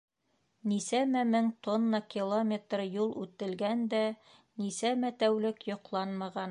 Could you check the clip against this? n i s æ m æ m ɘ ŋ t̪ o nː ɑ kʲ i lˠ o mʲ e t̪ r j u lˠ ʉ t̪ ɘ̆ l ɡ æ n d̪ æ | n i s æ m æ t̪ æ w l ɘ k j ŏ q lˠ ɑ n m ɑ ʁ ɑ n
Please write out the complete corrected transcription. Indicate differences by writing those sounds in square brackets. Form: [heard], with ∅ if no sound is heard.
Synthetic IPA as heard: n i s æ m æ m ɘ ŋ t̪ o nː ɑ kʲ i lˠ o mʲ e t̪ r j u lˠ ʉ t̪ ɘ̆ l ɡ æ n d̪ æ | n i s æ m æ t̪ æ w l ɘ k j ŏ q lˠ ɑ n m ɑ ʁ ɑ n